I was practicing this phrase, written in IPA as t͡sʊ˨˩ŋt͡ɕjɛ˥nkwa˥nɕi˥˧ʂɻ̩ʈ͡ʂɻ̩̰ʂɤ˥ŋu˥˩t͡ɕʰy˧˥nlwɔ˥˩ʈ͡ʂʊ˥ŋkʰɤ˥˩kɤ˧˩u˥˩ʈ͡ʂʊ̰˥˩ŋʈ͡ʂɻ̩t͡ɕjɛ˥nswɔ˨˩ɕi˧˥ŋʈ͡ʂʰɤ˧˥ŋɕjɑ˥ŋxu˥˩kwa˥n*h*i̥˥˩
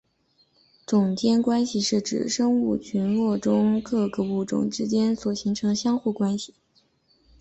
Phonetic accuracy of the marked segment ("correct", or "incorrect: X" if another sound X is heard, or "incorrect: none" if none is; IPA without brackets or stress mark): incorrect: ɕ